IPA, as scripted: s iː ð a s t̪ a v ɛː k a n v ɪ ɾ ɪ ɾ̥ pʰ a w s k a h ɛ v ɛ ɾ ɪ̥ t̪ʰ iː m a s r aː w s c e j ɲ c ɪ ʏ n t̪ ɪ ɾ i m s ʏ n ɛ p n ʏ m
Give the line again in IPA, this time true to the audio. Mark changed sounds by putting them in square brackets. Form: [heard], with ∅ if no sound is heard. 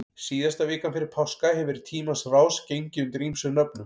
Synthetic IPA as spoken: s iː ð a s t̪ a v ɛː k a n [f] ɪ ɾ ɪ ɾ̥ pʰ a w s k a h ɛ v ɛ ɾ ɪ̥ t̪ʰ iː m a s r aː w s c e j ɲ c ɪ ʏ n t̪ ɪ ɾ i m s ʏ n [œ] p n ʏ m